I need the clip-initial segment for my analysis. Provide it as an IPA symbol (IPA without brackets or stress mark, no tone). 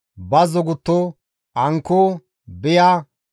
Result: b